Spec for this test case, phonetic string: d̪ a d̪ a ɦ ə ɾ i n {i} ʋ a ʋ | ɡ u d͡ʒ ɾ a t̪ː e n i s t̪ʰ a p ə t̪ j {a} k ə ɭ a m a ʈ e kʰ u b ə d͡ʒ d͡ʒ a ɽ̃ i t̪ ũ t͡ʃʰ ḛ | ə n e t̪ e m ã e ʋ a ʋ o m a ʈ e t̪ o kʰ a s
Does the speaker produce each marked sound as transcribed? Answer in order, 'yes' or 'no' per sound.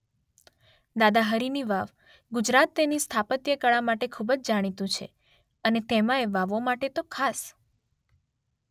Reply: yes, no

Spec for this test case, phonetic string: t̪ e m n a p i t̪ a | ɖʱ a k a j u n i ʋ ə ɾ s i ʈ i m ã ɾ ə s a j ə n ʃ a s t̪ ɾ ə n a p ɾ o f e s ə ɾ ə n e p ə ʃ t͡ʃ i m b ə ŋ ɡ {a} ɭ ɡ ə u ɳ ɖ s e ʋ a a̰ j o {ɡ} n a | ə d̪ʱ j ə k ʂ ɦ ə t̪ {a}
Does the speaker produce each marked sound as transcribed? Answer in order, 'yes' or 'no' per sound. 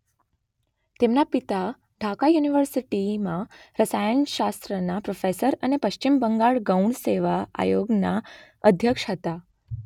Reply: yes, yes, yes

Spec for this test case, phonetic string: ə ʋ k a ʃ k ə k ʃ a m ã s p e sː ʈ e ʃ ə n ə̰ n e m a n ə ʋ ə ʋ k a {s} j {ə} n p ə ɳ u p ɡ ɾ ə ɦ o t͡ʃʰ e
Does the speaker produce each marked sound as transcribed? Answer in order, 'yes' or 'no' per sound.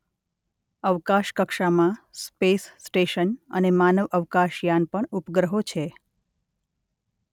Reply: no, no

